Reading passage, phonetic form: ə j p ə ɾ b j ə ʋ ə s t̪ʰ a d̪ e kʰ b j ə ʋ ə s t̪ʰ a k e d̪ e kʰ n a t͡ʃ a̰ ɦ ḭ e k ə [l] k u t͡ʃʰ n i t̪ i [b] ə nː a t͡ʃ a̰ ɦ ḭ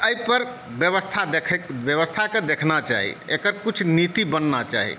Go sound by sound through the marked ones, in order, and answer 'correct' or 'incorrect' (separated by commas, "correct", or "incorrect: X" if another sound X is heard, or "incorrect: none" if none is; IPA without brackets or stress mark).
incorrect: ɾ, correct